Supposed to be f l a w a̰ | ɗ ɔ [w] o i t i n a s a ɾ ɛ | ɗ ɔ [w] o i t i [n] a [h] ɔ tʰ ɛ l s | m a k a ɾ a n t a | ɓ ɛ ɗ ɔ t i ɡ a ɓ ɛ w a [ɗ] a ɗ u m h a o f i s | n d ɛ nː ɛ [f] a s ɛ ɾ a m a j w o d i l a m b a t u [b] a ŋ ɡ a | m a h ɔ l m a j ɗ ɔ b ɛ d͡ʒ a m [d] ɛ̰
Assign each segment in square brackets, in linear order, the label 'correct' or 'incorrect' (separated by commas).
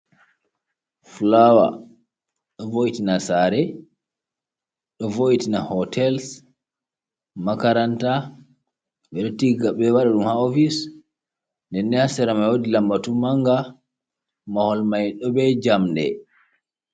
incorrect, incorrect, correct, correct, correct, incorrect, incorrect, correct